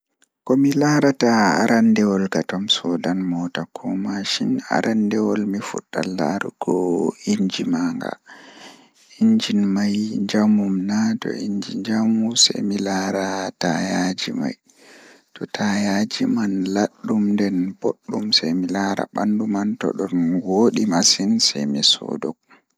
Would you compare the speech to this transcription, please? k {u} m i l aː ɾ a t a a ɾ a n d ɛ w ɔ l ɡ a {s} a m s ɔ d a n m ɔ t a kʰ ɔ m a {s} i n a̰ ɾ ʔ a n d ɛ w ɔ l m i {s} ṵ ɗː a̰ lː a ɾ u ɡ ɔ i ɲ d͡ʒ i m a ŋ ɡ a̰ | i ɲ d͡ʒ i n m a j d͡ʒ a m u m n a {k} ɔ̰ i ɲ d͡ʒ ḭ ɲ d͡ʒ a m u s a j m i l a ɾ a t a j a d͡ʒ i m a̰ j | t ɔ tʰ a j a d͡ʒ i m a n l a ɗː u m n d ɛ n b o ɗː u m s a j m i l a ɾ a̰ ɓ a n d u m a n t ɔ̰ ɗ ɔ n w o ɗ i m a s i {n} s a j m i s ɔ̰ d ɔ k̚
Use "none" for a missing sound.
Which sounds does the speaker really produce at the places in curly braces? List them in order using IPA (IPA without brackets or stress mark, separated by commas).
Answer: ɔ, t, ʃ, f, t, n